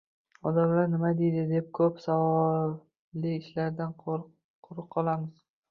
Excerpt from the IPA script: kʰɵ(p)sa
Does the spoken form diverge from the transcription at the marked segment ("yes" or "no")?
no